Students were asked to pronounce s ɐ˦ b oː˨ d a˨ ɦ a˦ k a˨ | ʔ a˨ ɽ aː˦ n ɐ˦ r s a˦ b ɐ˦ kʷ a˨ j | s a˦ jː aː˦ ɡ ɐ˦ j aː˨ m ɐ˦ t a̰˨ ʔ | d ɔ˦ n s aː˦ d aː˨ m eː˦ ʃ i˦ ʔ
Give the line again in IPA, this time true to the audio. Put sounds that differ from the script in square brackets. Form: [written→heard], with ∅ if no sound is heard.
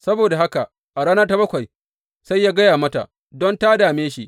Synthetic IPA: s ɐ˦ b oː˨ d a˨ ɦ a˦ k a˨ | ʔ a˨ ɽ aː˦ n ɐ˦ r [s→t] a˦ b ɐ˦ kʷ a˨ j | s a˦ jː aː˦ ɡ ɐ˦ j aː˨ m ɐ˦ t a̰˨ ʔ | d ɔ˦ n [s→t] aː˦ d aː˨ m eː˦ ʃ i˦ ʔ